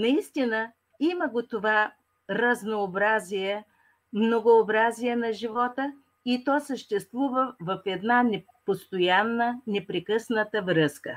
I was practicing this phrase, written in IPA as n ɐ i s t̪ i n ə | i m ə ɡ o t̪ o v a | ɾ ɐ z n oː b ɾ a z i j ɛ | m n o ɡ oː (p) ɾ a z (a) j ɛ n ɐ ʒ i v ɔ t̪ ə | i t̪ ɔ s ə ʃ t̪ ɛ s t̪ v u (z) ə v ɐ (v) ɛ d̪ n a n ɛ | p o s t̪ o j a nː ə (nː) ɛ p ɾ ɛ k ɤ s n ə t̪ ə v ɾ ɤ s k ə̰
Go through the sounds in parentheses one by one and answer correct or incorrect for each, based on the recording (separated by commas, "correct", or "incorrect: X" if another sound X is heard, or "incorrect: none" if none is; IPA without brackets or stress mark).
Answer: incorrect: b, incorrect: i, incorrect: v, incorrect: f, incorrect: n